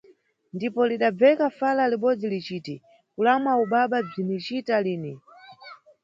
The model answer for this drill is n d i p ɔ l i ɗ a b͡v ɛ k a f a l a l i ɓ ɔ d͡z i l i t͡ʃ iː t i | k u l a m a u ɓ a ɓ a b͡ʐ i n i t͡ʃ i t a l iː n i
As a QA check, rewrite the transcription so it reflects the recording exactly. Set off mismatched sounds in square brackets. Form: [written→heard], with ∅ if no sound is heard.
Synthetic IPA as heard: n d i p ɔ l i ɗ a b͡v ɛ k a f a l a l i ɓ ɔ d͡z i l i t͡ʃ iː t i | k u l a m a u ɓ a ɓ a b͡ʐ i n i t͡ʃ i t a l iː n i